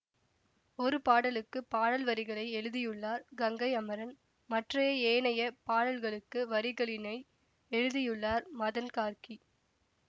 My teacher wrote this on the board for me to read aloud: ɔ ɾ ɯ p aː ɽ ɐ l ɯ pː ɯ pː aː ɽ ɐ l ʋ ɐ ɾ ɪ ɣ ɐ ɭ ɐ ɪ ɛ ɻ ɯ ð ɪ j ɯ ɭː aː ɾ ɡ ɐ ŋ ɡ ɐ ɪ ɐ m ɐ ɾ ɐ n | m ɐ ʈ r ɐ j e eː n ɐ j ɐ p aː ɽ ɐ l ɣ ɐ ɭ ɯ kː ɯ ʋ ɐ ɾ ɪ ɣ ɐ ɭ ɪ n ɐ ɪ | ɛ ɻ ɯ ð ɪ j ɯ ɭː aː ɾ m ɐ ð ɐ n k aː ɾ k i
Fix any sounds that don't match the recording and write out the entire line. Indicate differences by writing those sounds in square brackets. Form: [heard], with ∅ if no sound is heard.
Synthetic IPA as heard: ɔ ɾ ɯ p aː ɽ ɐ l ɯ [kː] ɯ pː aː ɽ ɐ l ʋ ɐ ɾ ɪ ɣ ɐ ɭ ɐ ɪ ɛ ɻ ɯ ð ɪ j ɯ ɭː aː ɾ ɡ ɐ ŋ ɡ ɐ ɪ ɐ m ɐ ɾ ɐ n | m ɐ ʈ r ɐ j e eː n ɐ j ɐ p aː ɽ ɐ l ɣ ɐ ɭ ɯ kː ɯ ʋ ɐ ɾ ɪ ɣ ɐ ɭ ɪ n ɐ ɪ | ɛ ɻ ɯ ð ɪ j ɯ ɭː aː ɾ m ɐ ð ɐ n k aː ɾ k i